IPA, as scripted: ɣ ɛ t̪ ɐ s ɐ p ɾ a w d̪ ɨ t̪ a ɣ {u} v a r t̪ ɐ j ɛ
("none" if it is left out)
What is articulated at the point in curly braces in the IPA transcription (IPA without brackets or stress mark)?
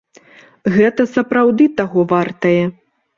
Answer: ɔ